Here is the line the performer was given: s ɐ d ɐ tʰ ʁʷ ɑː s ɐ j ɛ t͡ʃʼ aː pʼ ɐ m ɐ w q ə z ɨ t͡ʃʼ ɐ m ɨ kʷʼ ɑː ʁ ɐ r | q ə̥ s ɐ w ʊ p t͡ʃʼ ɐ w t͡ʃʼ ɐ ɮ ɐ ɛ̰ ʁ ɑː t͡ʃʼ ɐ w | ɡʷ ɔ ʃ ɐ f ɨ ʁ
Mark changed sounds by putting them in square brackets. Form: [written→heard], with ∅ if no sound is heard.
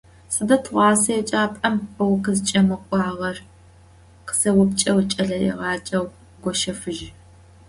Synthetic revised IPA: s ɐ d ɐ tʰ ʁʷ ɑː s ɐ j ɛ t͡ʃʼ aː pʼ ɐ m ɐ w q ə z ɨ t͡ʃʼ ɐ m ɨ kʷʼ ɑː ʁ ɐ r | q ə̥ s ɐ w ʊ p t͡ʃʼ ɐ w t͡ʃʼ ɐ ɮ ɐ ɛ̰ ʁ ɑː t͡ʃʼ ɐ w | ɡʷ ɔ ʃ ɐ f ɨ [ʁ→ʒ]